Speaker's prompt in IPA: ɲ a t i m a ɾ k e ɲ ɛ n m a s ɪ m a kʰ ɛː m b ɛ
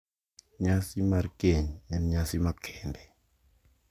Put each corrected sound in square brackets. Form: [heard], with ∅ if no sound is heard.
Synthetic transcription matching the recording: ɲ a [s] i m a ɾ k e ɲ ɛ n [ɲ] a s [i] m a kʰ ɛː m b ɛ